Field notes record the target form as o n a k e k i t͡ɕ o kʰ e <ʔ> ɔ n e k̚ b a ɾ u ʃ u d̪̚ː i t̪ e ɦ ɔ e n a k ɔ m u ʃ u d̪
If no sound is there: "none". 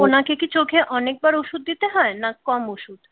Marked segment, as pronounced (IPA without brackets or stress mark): ʔ